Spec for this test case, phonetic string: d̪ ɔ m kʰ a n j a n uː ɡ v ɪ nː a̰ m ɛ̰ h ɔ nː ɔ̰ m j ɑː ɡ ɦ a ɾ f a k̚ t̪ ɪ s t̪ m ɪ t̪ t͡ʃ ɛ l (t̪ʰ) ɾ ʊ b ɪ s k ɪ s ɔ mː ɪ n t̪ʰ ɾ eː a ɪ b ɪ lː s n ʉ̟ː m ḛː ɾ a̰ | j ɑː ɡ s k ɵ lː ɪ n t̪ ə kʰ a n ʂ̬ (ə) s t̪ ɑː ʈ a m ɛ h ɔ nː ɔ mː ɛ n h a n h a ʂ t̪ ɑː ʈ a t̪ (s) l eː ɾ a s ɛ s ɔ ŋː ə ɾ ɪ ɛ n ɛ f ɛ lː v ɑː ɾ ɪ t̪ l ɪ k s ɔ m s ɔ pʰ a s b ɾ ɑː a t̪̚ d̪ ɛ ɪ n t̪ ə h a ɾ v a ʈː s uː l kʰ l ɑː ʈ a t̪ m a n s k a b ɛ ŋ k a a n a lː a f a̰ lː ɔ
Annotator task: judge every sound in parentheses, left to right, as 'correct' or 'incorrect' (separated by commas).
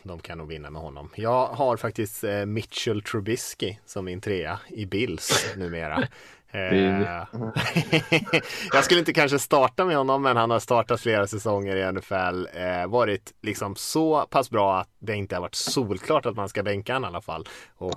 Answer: correct, correct, incorrect